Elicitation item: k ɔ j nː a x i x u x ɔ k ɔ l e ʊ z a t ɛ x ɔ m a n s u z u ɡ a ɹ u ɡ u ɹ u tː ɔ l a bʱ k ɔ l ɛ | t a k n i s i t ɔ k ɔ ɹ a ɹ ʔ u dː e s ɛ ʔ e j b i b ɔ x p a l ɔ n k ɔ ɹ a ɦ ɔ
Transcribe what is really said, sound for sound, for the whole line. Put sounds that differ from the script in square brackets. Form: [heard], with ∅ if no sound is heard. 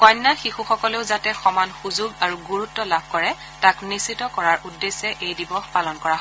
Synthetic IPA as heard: k ɔ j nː a x i x u x ɔ k ɔ l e ʊ z a t ɛ x ɔ m a n [x] u z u ɡ a ɹ u ɡ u ɹ u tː ɔ l a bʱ k ɔ [ɹ] ɛ | t a k n i s i t ɔ k ɔ ɹ a ɹ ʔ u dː e s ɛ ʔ e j [d] i b ɔ x p a l ɔ n k ɔ ɹ a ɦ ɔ